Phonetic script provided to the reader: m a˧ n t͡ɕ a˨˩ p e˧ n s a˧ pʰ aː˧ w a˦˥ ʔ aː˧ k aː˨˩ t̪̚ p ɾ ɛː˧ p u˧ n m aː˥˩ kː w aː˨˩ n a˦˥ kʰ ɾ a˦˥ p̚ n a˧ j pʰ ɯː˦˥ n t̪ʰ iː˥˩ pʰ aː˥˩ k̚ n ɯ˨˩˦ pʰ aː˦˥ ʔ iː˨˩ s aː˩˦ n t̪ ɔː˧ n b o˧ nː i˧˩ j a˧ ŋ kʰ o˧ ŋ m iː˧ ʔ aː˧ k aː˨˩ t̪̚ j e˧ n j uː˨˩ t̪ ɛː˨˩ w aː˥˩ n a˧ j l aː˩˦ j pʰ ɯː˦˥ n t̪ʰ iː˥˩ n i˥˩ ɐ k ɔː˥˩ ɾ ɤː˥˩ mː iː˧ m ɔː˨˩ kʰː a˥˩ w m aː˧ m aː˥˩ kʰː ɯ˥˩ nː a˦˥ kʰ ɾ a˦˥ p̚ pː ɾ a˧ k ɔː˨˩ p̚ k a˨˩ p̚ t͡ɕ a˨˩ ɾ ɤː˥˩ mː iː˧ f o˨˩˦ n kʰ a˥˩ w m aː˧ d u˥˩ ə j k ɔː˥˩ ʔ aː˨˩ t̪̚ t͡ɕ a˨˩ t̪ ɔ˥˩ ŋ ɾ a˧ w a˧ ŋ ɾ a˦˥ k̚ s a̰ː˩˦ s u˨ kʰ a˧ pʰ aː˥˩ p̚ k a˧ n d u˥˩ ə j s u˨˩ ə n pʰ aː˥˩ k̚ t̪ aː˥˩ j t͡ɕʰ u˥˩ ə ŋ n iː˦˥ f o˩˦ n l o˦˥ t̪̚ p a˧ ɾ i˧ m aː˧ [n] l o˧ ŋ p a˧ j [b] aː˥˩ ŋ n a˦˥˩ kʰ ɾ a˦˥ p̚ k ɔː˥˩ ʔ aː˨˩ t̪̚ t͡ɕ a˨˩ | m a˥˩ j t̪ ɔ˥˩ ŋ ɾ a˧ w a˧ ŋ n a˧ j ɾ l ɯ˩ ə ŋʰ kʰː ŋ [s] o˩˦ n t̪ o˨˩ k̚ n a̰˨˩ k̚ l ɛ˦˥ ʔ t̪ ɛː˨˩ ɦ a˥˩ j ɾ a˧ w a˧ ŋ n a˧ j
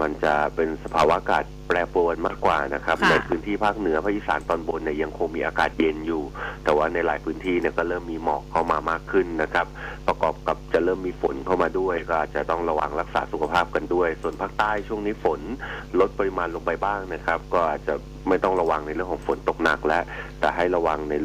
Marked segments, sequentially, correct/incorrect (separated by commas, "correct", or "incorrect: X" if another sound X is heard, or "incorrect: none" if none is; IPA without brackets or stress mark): correct, correct, incorrect: f